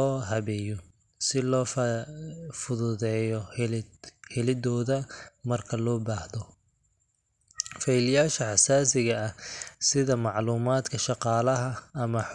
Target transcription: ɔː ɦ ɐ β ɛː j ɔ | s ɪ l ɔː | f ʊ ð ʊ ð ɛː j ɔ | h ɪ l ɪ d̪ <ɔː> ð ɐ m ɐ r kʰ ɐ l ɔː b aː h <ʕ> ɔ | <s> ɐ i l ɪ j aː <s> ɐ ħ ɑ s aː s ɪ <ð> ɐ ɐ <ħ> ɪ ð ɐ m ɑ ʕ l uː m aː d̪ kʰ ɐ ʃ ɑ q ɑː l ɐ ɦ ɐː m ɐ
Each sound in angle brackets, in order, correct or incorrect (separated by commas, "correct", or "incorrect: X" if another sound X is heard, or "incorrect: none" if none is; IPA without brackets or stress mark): correct, incorrect: ð, incorrect: f, incorrect: ʃ, incorrect: ɣ, incorrect: s